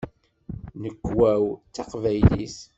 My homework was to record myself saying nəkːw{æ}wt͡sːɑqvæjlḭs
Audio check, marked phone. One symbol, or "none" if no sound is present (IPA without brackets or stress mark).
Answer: æ